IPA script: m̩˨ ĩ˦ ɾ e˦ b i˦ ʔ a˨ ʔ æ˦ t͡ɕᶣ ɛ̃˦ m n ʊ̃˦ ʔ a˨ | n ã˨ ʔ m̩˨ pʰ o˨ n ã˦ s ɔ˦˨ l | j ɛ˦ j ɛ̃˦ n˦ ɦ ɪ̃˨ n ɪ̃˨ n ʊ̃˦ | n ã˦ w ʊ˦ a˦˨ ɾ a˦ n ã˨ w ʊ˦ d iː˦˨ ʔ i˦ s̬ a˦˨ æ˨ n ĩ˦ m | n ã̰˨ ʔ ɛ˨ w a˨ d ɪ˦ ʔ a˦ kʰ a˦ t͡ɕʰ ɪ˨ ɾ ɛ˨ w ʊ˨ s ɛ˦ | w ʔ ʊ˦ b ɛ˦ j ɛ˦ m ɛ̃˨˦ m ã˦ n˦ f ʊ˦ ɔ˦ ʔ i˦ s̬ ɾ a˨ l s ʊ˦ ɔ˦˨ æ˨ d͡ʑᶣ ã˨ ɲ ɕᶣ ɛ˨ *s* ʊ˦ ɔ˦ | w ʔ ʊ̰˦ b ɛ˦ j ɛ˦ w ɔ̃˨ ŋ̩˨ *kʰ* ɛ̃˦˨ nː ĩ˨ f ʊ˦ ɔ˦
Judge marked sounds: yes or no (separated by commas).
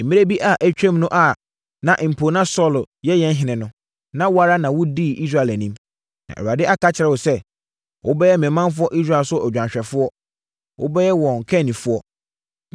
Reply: no, yes